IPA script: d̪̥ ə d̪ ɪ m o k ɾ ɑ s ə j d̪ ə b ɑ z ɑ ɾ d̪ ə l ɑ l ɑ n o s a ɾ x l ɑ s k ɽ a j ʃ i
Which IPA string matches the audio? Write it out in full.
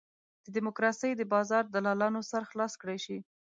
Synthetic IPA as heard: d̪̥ ə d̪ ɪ m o k ɾ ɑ s ə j d̪ ə b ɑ z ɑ ɾ d̪ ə l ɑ l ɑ n o s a ɾ x l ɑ s k ɽ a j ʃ i